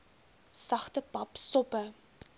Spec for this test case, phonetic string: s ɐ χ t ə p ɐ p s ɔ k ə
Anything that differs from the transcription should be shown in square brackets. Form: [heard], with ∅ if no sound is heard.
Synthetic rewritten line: s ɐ χ t ə p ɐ p s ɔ [p] ə